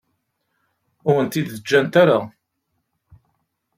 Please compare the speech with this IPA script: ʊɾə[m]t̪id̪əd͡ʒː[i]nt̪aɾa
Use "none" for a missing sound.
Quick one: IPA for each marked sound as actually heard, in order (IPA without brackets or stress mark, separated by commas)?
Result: n, æ